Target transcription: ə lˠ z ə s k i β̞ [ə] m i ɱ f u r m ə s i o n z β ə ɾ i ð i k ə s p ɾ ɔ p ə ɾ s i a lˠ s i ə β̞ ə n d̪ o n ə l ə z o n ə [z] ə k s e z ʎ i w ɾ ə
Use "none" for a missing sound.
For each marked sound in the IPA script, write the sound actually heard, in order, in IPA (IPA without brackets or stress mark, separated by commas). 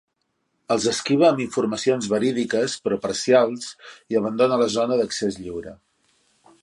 əː, ð